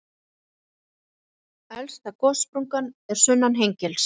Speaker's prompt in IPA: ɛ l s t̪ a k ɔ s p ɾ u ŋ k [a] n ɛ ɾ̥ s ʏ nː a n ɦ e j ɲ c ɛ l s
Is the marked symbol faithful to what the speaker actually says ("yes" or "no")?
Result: yes